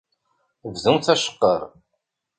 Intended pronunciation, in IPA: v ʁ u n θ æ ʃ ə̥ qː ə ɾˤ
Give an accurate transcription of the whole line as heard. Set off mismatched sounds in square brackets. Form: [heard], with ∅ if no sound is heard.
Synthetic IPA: v [ð] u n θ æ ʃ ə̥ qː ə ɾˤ

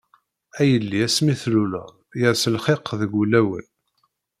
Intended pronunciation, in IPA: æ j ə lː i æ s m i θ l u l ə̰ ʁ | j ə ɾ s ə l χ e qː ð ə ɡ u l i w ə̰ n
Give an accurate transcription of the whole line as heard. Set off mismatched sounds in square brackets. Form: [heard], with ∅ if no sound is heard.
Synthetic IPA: æ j ə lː i æ s m i θ l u l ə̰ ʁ | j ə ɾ s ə l χ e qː ð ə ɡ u l [æ] w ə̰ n

